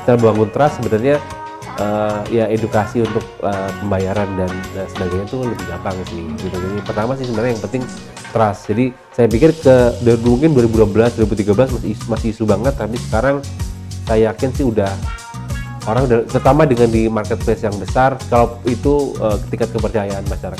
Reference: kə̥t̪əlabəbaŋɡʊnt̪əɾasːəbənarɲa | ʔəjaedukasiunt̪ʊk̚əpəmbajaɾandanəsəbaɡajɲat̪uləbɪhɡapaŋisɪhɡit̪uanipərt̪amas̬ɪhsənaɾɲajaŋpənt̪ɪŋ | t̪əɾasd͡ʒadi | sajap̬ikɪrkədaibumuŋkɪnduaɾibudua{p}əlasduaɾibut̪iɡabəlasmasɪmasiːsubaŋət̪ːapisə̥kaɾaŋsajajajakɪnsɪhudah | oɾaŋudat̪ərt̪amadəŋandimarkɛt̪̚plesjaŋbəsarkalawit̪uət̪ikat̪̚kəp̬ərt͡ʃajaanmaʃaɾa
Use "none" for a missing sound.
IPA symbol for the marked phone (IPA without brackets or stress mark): b